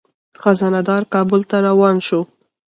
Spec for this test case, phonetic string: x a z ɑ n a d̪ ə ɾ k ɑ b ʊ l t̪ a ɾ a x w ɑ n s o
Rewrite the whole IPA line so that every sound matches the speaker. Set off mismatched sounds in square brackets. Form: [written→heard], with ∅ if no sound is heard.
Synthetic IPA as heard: x a z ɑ n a d̪ [ə→ɑ] ɾ k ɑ b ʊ l t̪ a ɾ a [x→∅] w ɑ n [s→ʃ] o